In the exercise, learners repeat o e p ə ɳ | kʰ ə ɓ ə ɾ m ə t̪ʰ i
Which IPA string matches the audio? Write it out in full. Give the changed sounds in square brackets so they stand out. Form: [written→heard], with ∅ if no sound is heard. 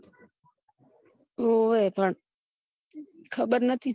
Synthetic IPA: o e p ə ɳ | kʰ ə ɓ ə ɾ [m→n] ə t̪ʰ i